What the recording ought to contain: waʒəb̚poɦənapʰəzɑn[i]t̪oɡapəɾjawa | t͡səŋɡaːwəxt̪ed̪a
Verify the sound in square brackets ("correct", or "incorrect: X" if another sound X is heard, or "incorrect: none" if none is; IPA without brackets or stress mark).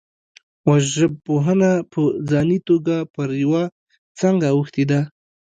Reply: correct